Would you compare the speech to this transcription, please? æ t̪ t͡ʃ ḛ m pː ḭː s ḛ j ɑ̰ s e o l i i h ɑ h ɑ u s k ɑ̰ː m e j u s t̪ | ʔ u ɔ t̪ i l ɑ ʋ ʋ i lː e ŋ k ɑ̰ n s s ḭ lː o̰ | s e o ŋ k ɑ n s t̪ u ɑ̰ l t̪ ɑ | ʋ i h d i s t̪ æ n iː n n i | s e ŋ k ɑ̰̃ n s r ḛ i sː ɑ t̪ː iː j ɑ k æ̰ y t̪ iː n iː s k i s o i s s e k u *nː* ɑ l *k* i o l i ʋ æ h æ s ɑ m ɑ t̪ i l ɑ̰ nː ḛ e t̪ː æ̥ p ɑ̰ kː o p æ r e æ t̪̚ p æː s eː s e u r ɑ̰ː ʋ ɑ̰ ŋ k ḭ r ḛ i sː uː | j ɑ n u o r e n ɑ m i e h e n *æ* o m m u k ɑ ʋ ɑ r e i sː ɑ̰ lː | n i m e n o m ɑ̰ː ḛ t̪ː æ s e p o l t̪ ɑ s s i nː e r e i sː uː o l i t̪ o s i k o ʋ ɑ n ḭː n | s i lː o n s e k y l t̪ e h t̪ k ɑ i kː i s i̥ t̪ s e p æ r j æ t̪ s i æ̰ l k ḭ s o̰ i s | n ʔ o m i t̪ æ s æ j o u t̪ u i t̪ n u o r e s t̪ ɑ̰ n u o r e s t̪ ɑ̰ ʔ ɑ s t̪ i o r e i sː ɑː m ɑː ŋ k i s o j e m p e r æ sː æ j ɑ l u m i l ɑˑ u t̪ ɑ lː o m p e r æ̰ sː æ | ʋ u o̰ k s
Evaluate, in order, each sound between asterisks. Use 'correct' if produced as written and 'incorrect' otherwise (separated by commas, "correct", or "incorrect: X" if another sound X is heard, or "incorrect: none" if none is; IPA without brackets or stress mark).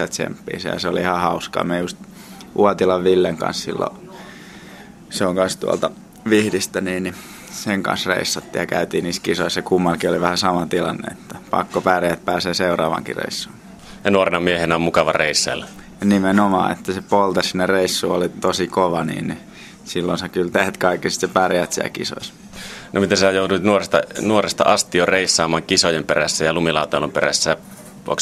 incorrect: mː, correct, correct